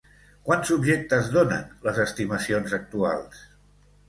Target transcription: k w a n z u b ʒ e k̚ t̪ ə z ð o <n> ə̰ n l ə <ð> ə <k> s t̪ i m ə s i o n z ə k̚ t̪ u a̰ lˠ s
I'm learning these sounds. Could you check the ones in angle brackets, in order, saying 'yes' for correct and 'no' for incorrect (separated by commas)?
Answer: yes, no, no